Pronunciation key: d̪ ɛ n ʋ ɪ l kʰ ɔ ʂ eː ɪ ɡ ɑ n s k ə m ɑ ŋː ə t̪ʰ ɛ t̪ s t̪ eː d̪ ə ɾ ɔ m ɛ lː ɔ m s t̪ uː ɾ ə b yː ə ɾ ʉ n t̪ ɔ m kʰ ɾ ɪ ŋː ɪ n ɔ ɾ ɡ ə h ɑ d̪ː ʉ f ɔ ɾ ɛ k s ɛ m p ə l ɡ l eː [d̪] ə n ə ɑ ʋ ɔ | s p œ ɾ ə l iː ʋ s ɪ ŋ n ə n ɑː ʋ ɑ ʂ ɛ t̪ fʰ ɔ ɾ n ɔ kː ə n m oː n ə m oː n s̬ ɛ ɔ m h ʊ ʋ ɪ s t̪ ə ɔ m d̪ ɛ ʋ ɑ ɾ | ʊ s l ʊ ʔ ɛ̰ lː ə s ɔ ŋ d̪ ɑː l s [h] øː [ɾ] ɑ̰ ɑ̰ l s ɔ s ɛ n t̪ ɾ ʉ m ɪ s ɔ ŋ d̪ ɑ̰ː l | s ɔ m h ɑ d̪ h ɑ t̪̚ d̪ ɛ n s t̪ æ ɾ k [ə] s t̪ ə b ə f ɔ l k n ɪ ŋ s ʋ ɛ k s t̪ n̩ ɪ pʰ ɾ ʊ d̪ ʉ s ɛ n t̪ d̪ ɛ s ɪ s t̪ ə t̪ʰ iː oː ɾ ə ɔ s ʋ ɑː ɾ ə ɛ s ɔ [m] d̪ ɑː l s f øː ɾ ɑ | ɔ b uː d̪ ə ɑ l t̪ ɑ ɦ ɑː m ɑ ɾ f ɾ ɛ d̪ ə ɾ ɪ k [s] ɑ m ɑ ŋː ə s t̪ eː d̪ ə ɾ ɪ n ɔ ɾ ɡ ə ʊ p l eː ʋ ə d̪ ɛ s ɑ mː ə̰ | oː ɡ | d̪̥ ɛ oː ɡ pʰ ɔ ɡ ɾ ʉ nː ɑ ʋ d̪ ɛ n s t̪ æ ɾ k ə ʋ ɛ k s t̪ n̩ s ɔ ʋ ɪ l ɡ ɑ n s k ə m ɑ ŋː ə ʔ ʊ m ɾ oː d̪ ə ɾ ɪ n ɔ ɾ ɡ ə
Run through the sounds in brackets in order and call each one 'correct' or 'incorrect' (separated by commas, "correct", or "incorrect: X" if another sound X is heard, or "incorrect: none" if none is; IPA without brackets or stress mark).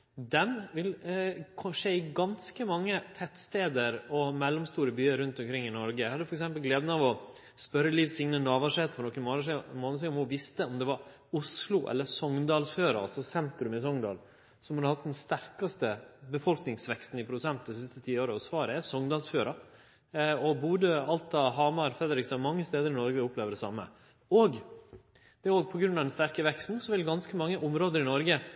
correct, incorrect: f, correct, incorrect: ɑ, incorrect: ŋ, correct